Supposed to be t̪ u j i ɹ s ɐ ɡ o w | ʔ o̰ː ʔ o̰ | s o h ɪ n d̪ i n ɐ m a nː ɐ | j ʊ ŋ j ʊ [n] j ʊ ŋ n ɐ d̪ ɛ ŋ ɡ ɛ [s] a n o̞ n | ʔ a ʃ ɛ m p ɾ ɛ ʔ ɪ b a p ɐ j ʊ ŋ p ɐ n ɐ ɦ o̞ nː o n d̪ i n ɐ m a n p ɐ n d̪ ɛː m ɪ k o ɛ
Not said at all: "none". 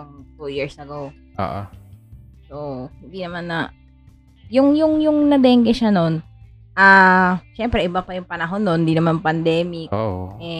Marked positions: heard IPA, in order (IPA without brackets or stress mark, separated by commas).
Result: ŋ, ʃ